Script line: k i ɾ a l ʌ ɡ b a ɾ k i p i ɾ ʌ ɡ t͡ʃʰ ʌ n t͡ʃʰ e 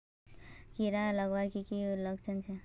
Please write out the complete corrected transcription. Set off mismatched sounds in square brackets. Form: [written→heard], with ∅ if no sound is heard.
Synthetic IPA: k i ɾ a l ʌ ɡ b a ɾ k i [p→k] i [ɾ→l] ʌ ɡ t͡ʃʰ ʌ n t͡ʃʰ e